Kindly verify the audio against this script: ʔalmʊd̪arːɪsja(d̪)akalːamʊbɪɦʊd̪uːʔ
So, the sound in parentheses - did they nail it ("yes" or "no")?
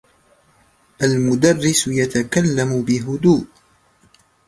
no